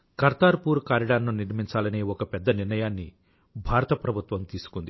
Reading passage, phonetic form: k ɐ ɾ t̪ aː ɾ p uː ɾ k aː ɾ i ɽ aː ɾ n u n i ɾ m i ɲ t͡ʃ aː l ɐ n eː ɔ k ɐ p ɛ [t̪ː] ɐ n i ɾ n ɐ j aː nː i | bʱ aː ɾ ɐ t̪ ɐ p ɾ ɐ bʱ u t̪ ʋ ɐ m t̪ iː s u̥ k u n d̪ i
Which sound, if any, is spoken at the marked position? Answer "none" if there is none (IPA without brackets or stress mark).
d̪ː